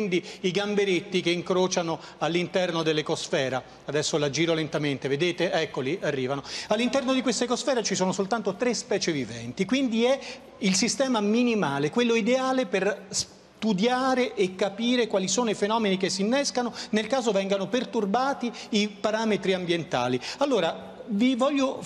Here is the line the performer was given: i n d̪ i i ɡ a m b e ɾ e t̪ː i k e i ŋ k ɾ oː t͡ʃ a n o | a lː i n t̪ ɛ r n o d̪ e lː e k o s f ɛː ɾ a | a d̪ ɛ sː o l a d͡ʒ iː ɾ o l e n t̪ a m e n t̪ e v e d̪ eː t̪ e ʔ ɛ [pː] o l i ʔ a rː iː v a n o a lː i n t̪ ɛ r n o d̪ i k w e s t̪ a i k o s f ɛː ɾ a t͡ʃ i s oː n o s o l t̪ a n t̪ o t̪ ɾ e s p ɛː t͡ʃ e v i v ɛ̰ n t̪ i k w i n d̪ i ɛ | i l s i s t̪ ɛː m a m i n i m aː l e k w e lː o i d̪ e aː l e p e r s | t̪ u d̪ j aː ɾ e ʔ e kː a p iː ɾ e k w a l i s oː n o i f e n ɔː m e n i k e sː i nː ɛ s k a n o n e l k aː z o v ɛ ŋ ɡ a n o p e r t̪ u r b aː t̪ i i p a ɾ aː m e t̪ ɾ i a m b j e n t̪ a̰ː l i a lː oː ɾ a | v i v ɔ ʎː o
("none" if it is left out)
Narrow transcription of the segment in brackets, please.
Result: kː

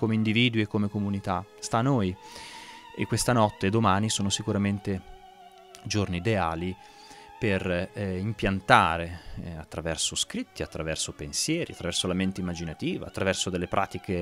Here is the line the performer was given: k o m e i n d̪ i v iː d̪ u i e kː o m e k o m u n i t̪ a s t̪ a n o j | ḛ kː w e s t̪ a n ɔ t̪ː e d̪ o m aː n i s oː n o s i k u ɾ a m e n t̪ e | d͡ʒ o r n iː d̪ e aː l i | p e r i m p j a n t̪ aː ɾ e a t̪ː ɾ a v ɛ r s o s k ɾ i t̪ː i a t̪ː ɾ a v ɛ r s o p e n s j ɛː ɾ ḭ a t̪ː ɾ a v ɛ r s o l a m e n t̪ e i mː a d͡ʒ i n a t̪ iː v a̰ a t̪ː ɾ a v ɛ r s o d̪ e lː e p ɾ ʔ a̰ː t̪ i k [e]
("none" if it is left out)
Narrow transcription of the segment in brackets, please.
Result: e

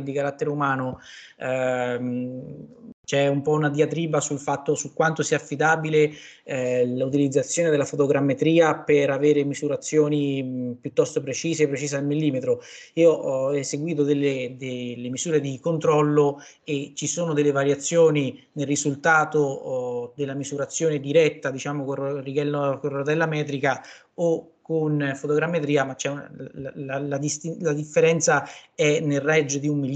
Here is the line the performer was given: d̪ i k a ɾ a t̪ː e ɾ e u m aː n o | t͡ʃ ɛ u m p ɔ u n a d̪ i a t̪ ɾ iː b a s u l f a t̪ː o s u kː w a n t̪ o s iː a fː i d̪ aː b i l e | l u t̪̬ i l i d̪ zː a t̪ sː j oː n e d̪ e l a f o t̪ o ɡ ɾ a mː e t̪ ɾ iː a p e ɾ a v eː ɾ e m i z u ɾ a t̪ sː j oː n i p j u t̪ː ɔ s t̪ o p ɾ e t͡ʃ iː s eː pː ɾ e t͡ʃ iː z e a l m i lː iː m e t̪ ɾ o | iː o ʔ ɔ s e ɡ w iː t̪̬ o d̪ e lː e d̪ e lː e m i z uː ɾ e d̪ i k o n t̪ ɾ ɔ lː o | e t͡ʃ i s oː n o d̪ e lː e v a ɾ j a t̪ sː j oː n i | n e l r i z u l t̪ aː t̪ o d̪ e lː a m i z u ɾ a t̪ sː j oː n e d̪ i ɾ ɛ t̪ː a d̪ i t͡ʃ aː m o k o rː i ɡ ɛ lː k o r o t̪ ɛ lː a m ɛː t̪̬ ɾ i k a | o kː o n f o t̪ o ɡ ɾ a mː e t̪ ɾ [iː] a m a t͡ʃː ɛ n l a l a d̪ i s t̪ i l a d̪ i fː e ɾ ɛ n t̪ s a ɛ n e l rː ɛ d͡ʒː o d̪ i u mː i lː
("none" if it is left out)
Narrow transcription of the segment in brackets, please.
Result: iː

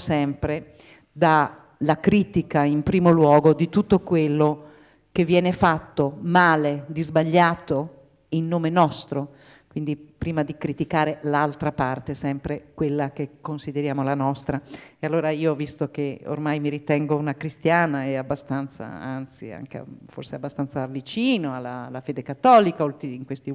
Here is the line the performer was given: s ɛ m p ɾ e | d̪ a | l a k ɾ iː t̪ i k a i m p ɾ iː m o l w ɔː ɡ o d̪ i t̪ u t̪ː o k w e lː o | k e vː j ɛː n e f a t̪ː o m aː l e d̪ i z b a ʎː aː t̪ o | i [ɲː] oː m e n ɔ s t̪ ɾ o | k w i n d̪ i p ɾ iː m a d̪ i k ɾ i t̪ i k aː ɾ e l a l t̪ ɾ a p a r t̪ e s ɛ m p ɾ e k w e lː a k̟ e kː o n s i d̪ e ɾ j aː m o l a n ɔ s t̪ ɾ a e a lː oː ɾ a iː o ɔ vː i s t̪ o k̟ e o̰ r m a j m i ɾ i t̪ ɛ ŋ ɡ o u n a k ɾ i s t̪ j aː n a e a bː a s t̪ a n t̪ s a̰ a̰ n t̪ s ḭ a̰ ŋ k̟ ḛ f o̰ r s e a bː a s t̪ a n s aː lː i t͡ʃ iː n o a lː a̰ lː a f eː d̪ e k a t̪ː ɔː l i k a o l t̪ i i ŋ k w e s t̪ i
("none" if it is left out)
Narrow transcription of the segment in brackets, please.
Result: nː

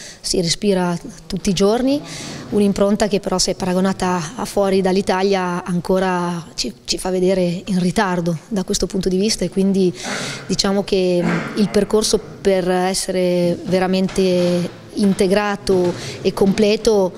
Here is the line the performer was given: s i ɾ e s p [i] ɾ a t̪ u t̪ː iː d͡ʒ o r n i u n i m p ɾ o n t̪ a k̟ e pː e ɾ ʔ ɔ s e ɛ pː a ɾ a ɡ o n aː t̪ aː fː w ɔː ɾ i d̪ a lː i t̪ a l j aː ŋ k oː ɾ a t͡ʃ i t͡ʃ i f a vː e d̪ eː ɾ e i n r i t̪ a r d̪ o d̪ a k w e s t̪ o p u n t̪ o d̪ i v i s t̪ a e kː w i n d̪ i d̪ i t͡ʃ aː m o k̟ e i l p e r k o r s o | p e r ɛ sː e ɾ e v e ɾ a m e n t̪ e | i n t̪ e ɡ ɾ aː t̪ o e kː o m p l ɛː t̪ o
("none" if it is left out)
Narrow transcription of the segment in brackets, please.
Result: iː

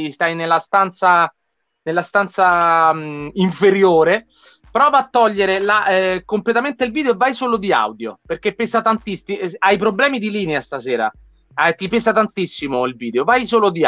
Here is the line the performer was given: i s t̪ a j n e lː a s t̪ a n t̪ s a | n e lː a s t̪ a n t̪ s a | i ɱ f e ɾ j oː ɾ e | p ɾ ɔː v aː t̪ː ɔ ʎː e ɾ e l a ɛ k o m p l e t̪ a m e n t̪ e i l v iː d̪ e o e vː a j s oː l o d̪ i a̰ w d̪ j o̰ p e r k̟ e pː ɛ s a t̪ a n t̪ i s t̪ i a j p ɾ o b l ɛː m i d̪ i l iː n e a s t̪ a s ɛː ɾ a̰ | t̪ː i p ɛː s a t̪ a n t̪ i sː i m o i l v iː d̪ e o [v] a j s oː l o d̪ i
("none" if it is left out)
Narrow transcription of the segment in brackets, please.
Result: v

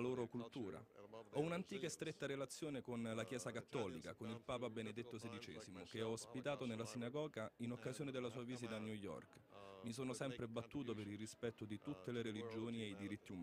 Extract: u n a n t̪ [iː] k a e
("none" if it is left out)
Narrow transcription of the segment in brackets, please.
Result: iː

